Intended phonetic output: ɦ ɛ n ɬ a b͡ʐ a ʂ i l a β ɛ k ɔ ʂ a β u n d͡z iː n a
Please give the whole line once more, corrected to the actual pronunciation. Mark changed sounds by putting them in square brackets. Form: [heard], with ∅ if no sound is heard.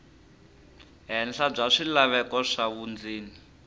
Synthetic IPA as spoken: ɦ ɛ n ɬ a b͡ʐ a ʂ i l a β ɛ k ɔ ʂ a β u n d͡z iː n [i]